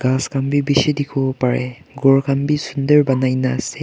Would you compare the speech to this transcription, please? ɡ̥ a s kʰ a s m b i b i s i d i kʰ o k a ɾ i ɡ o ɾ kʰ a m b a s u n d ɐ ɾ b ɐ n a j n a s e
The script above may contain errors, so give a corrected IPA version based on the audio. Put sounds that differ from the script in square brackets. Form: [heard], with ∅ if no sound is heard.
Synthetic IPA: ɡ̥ a s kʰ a [∅] m b i b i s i d i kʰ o [p] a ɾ [e] ɡ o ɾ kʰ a m b [i] s u n d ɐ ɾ b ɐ n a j n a s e